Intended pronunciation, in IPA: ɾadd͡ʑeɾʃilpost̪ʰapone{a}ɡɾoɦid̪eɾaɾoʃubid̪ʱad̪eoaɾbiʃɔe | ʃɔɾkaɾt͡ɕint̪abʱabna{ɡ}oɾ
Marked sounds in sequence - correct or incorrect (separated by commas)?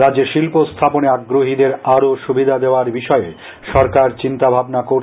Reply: correct, incorrect